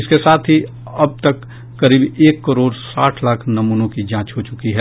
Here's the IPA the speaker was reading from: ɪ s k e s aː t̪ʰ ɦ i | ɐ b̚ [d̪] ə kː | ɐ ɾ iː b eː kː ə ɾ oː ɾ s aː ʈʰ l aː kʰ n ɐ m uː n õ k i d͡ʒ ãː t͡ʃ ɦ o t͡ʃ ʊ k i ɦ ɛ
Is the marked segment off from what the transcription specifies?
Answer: yes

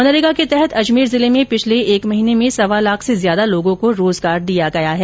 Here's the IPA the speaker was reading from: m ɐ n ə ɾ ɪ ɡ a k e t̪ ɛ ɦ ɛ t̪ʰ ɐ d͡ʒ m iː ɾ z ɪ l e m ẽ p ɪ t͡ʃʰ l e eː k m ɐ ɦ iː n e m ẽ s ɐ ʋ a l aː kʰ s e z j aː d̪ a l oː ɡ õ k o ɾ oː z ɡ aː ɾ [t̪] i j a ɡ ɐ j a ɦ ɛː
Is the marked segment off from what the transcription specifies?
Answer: yes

